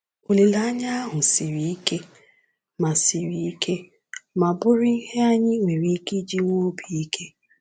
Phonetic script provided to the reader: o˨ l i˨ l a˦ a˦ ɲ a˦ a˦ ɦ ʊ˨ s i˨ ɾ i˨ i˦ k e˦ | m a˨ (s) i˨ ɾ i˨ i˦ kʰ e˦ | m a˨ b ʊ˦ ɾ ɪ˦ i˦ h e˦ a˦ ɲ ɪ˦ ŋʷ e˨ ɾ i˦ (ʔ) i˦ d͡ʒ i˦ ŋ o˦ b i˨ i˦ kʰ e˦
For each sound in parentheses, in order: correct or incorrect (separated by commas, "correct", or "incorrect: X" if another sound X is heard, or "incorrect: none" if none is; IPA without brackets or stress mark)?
correct, incorrect: k